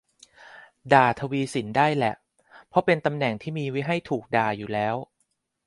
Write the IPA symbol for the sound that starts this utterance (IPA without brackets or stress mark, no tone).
d